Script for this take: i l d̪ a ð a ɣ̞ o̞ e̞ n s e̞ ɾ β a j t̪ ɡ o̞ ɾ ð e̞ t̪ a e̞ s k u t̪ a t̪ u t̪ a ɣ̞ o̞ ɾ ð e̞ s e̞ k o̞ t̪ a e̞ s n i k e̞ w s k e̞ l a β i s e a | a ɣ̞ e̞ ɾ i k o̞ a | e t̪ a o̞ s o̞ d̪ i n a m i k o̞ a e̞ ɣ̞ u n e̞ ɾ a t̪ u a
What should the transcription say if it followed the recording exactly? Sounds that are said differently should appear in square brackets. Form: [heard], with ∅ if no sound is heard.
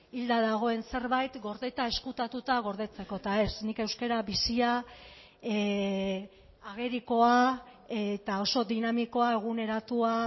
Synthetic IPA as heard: i l d̪ a ð a ɣ̞ o̞ e̞ n s e̞ ɾ β a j t̪ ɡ o̞ ɾ ð e̞ t̪ a e̞ s k u t̪ a t̪ u t̪ a ɣ̞ o̞ ɾ ð e̞ [t͡s] e̞ k o̞ t̪ a e̞ s n i k e̞ w s k e̞ [ɾ] a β i s [i] a | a ɣ̞ e̞ ɾ i k o̞ a | e t̪ a o̞ s o̞ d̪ i n a m i k o̞ a e̞ ɣ̞ u n e̞ ɾ a t̪ u a